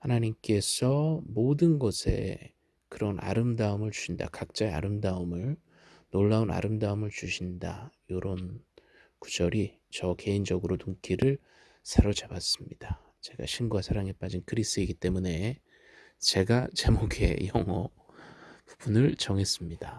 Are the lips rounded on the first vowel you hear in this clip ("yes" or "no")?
no